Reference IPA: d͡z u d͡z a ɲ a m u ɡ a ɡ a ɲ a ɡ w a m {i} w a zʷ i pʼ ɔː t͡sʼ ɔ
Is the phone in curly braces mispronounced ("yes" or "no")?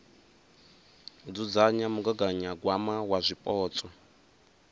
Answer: yes